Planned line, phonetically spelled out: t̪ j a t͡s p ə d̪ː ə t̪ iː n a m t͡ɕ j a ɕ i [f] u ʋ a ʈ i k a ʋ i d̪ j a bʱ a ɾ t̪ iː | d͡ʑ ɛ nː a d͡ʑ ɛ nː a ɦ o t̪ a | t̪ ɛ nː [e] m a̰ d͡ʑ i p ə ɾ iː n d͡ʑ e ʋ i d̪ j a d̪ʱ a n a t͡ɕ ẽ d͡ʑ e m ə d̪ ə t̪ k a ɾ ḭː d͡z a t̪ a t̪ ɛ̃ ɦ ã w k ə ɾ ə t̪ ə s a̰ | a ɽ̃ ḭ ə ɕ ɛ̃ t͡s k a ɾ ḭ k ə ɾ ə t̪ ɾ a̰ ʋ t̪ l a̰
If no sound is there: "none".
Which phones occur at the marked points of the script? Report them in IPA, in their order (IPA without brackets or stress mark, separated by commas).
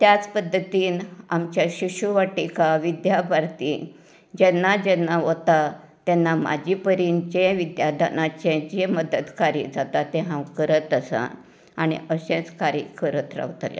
ɕ, a